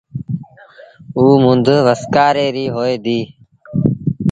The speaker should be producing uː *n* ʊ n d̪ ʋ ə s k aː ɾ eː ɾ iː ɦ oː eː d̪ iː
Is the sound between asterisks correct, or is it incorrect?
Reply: incorrect